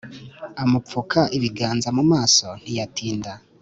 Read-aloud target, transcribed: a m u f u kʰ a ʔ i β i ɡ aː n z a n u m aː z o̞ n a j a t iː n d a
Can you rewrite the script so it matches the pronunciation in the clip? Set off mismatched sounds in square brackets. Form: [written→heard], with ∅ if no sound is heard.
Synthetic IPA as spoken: a m u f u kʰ a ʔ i β i ɡ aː n z a [n→m] u m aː [z→s] o̞ n [a→i] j a t iː n d a